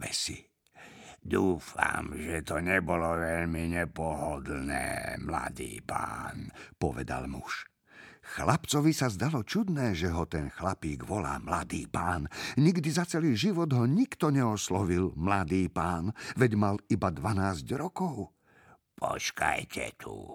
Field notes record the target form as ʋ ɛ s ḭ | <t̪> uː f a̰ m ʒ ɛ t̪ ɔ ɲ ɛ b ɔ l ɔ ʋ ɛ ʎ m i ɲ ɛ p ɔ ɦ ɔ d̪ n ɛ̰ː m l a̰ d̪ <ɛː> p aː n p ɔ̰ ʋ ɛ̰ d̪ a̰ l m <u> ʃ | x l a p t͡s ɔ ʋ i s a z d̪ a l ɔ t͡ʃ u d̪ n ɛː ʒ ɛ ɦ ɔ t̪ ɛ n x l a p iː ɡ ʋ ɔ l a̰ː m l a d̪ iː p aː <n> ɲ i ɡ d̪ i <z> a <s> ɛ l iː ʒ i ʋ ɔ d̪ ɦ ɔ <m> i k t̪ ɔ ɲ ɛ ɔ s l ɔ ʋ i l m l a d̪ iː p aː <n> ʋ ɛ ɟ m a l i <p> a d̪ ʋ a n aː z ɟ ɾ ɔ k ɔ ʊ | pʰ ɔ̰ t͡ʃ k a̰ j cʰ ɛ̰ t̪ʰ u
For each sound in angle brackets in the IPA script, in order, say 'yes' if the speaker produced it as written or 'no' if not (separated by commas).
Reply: no, no, yes, yes, yes, no, no, yes, no